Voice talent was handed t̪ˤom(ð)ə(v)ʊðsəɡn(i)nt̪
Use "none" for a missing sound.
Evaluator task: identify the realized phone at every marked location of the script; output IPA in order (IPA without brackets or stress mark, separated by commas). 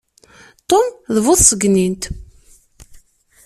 ð, v, i